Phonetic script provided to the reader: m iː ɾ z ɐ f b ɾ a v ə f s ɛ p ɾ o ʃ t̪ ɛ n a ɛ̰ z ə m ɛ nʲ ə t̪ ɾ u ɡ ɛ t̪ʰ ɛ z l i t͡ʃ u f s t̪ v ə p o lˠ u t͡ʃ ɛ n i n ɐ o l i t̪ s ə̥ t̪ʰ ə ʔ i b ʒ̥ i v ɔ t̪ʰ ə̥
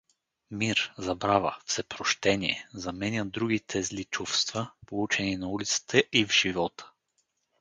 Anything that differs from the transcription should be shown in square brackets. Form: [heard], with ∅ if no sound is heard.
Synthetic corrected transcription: m [i] ɾ z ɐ [∅] b ɾ a v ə f s ɛ p ɾ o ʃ t̪ ɛ n [i] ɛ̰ z [ɐ] m ɛ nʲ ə [d̪] ɾ u ɡ [i] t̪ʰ ɛ z l i t͡ʃ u f s t̪ v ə p o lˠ u t͡ʃ ɛ n i n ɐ [u] l i t̪ s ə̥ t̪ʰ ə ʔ i [v] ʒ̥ i v ɔ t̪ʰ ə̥